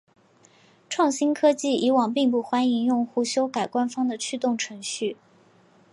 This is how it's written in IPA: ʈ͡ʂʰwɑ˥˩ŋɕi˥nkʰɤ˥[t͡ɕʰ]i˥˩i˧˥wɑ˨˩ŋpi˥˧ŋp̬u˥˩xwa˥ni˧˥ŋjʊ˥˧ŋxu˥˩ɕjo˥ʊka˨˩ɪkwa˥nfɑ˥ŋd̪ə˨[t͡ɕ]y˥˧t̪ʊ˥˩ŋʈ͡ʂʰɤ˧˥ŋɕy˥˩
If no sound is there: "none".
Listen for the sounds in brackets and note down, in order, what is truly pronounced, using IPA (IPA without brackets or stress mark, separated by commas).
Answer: t͡ɕ, t͡ɕʰ